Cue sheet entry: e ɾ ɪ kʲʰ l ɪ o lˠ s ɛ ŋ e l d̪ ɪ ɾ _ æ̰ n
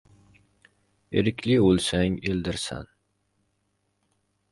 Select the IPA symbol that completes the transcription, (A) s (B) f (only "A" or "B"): A